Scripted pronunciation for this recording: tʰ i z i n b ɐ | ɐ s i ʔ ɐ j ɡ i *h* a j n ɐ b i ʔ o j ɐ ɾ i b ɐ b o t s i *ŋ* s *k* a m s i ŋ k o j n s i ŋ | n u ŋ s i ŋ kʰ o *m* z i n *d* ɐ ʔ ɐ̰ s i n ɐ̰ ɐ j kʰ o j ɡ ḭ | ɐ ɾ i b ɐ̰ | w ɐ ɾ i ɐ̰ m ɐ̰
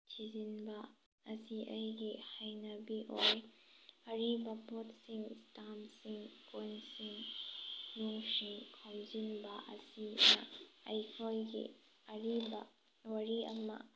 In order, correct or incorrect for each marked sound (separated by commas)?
correct, correct, incorrect, correct, incorrect